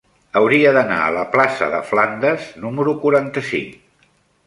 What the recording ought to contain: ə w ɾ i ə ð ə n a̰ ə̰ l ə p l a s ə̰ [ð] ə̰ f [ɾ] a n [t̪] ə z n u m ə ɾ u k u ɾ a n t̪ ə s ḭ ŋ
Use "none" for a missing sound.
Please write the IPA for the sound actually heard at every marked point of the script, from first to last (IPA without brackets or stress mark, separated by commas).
ð, l, d̪